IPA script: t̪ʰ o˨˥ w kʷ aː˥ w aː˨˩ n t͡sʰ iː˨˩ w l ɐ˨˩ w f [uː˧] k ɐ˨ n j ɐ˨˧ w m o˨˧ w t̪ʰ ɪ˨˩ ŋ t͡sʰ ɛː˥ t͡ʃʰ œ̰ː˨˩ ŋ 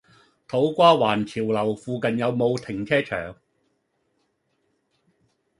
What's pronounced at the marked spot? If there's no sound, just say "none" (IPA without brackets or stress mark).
uː˧